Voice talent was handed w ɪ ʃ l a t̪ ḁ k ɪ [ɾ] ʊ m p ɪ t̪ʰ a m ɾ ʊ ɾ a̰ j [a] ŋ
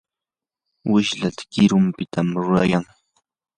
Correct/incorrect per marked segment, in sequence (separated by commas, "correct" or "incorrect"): correct, correct